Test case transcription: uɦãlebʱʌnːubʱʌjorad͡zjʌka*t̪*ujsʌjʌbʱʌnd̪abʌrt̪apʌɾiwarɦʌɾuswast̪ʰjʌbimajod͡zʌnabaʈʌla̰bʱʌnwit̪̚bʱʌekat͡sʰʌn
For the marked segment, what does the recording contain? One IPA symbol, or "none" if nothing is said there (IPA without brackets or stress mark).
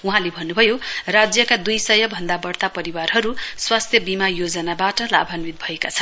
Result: d̪